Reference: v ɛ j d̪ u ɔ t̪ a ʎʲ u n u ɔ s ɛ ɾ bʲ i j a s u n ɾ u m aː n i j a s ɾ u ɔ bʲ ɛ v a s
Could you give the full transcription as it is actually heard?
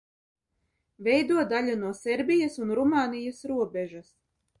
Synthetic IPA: v ɛ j d̪ u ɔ d̪ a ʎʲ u n u ɔ s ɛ ɾ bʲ i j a s u n ɾ u m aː n i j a s ɾ u ɔ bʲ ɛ ʒ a s